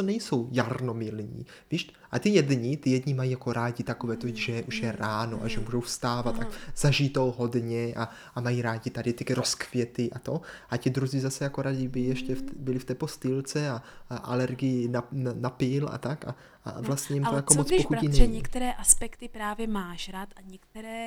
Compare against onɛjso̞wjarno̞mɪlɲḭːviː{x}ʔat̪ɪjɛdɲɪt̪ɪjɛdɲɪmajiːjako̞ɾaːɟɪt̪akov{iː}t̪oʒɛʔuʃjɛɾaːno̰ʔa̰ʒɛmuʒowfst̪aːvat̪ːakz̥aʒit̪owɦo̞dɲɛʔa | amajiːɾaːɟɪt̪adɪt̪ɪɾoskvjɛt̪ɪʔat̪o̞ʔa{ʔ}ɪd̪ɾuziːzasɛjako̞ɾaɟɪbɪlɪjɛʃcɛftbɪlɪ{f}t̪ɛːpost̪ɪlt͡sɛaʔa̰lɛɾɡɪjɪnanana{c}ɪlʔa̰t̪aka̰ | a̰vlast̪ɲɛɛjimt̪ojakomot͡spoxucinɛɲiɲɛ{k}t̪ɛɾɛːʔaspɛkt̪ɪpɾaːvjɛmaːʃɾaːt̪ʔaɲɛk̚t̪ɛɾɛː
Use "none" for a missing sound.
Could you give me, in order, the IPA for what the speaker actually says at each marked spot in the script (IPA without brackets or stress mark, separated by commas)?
ʃ, ɛː, c, f, p, k